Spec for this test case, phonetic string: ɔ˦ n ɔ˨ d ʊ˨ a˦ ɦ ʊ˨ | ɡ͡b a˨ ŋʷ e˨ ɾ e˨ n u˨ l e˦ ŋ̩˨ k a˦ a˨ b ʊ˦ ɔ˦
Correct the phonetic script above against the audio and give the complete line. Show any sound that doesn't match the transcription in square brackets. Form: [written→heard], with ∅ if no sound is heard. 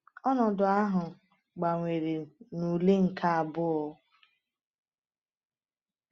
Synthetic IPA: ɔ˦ n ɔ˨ d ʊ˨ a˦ ɦ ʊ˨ | ɡ͡b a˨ ŋʷ e˨ ɾ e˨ n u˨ l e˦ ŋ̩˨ k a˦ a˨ b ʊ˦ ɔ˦

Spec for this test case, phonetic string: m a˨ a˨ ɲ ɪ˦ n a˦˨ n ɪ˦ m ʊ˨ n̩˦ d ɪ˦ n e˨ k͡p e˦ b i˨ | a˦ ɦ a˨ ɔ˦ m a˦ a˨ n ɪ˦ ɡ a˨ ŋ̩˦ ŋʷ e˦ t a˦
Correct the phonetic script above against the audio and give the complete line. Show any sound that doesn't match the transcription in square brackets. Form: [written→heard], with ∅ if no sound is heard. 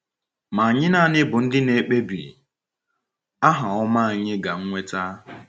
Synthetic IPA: m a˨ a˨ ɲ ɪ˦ n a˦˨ n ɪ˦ [m→b] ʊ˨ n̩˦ d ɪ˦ n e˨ k͡p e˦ b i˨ | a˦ ɦ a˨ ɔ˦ m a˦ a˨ [n→ɲ] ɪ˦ ɡ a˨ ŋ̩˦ ŋʷ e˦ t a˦

